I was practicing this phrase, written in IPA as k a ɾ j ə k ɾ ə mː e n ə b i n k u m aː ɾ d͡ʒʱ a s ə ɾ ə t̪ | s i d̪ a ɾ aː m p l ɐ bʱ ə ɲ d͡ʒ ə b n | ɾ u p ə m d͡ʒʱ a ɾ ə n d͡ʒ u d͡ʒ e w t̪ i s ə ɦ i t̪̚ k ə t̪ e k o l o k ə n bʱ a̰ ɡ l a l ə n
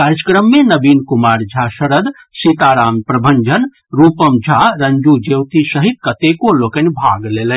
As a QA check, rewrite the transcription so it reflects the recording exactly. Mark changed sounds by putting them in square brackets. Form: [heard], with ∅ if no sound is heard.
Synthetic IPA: k a ɾ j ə k ɾ ə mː e n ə b i n k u m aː ɾ d͡ʒʱ a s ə ɾ ə [d̪] | s i [t̪] a ɾ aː m p [ɾ] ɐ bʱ ə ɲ d͡ʒ ə [∅] n | ɾ u p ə m d͡ʒʱ a ɾ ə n d͡ʒ u d͡ʒ e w t̪ i s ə ɦ i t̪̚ k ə t̪ e k o l o k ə n bʱ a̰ ɡ l [e] l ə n